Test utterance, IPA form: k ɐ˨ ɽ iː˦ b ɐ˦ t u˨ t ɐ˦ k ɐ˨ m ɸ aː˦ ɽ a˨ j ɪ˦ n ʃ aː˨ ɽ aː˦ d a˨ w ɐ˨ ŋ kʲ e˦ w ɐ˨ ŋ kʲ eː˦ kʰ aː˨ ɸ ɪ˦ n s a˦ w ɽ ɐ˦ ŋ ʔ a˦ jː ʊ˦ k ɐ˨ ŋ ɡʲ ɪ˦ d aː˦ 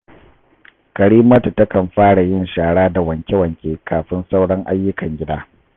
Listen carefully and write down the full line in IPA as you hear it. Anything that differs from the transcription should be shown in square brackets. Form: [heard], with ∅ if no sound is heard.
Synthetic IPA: k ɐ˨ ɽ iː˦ [m] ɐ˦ t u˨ t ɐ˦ k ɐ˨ m ɸ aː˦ ɽ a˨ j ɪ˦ n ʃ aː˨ ɽ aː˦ d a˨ w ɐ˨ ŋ kʲ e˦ w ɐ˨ ŋ kʲ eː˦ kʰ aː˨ ɸ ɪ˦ n s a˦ w ɽ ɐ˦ ŋ ʔ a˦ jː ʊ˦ k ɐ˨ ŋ ɡʲ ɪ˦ d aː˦